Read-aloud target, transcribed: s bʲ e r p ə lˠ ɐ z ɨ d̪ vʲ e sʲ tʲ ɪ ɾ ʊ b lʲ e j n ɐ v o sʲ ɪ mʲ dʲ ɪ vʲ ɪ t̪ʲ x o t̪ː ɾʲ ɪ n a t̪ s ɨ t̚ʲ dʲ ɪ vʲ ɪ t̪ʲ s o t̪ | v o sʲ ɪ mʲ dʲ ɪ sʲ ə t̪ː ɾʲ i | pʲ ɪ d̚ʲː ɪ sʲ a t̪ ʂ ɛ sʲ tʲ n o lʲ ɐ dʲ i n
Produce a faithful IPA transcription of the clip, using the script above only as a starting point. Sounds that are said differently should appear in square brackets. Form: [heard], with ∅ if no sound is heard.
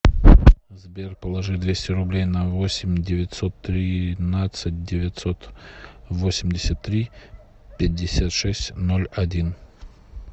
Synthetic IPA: [z] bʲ e r p ə lˠ ɐ [ʐ] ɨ d̪ vʲ e sʲ tʲ ɪ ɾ ʊ b lʲ e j n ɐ v o sʲ ɪ mʲ dʲ ɪ vʲ ɪ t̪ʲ [s] o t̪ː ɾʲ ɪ n a t̪ s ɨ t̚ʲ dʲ ɪ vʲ ɪ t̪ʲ s o t̪ | v o sʲ ɪ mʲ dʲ ɪ sʲ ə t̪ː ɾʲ i | pʲ ɪ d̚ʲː ɪ sʲ a t̪ ʂ ɛ sʲ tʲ n o lʲ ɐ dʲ i n

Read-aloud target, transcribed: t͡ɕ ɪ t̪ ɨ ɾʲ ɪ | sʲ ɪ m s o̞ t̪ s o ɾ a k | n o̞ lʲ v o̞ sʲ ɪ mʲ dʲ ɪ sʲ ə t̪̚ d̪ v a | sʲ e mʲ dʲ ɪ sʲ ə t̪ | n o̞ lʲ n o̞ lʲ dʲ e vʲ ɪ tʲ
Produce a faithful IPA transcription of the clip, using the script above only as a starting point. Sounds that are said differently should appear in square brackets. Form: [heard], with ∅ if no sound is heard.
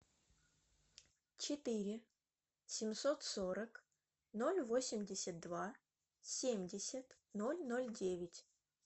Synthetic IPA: t͡ɕ ɪ t̪ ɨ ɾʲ ɪ | sʲ ɪ m s o̞ t̪ s o ɾ [ə] k | n o̞ lʲ v o̞ sʲ ɪ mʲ dʲ ɪ sʲ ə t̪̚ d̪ v a | sʲ e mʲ dʲ ɪ sʲ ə t̪ | n o̞ lʲ n o̞ lʲ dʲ e vʲ ɪ tʲ

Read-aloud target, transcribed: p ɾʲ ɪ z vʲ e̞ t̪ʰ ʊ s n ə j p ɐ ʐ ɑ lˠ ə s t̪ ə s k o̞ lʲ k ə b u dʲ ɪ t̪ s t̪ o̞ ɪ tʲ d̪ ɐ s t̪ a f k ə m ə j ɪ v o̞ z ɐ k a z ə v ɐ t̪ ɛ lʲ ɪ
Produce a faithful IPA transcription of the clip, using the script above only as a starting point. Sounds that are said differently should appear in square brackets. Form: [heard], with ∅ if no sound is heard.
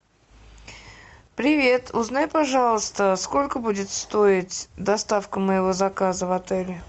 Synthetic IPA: p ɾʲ ɪ [∅] vʲ e̞ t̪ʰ ʊ [z] n [a] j p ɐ ʐ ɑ lˠ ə s t̪ ə s k o̞ lʲ k ə b u dʲ ɪ t̪ s t̪ o̞ ɪ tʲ d̪ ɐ s t̪ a f k ə m ə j ɪ v o̞ z ɐ k a z ə v ɐ t̪ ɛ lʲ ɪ

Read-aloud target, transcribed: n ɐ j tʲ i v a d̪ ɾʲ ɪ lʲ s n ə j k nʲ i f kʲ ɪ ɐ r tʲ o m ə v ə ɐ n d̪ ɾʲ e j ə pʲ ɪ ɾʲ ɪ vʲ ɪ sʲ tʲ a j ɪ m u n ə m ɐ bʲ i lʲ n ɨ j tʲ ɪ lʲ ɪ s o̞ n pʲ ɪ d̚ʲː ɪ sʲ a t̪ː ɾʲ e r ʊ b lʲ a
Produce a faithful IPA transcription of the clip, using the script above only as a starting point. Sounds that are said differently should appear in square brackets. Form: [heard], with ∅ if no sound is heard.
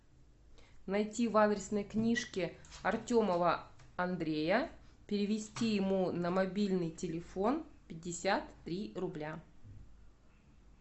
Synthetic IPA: n ɐ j tʲ i v a d̪ ɾʲ ɪ [∅] s n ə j k nʲ i [ʂ] kʲ ɪ ɐ r tʲ o m ə v ə ɐ n d̪ ɾʲ e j ə pʲ ɪ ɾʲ ɪ vʲ ɪ sʲ tʲ [i] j ɪ m u n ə m ɐ bʲ i lʲ n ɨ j tʲ ɪ lʲ ɪ [f] o̞ n pʲ ɪ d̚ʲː ɪ sʲ a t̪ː ɾʲ [i] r ʊ b lʲ a

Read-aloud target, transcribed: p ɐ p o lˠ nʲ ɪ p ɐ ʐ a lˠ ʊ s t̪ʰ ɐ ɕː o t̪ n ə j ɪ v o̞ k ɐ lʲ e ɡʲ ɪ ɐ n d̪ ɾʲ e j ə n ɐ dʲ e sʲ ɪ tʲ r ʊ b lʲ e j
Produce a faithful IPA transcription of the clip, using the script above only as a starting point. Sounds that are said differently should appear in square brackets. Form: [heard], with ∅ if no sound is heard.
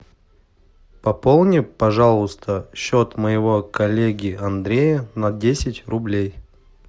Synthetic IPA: p ɐ p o lˠ nʲ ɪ p ɐ ʐ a lˠ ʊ s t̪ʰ [ə] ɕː o t̪ [m] ə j ɪ v o̞ k ɐ lʲ e ɡʲ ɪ ɐ n d̪ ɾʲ e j ə n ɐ dʲ e sʲ ɪ tʲ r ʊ b lʲ e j

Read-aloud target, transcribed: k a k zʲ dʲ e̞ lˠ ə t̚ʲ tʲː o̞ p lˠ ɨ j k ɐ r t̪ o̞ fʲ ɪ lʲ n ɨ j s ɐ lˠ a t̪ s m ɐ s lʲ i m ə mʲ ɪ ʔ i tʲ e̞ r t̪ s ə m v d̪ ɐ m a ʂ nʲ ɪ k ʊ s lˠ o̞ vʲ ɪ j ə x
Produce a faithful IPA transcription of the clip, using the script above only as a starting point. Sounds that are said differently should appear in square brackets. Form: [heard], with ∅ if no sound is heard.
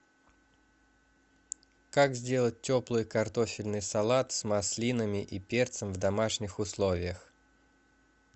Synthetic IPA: k a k zʲ dʲ e̞ lˠ ə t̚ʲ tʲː o̞ p lˠ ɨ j k ɐ r t̪ o̞ fʲ ɪ lʲ n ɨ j s ɐ lˠ a t̪ s m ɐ s lʲ i [n] ə mʲ ɪ ʔ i [pʲ] e̞ r t̪ s ə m v d̪ ɐ m a ʂ nʲ ɪ [x] ʊ s lˠ o̞ vʲ ɪ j ə x

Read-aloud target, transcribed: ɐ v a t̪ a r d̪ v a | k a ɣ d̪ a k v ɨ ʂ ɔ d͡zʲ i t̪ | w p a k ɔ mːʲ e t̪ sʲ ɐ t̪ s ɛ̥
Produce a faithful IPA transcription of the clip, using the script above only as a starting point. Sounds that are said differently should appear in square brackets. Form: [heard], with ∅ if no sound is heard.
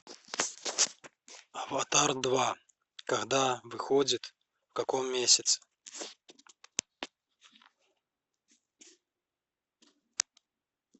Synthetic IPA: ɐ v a t̪ a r d̪ v a | k a ɣ d̪ a [∅] v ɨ [x] ɔ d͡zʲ i t̪ | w [k] a k ɔ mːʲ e [∅] sʲ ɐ t̪ s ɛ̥

